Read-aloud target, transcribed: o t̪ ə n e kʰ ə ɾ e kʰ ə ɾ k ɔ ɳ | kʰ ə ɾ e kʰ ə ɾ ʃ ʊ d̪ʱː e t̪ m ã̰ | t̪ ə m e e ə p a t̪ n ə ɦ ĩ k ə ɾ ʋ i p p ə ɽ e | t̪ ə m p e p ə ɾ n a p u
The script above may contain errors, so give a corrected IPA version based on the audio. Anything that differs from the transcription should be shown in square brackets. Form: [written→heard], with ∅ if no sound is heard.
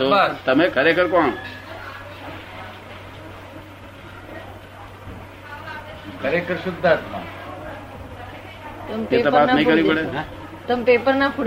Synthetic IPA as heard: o t̪ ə [n→m] e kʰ ə ɾ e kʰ ə ɾ k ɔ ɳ | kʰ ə ɾ e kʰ ə ɾ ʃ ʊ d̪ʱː [e→a] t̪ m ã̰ | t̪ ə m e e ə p a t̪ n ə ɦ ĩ k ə ɾ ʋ i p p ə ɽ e | t̪ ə m p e p ə ɾ n a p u